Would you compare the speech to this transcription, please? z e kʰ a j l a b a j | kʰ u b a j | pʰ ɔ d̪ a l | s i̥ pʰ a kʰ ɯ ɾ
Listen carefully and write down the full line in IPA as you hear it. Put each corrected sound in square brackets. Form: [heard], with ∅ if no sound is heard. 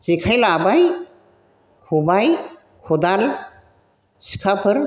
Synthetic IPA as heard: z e kʰ a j l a b a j | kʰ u b a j | [kʰ] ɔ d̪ a l | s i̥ [kʰ] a [pʰ] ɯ ɾ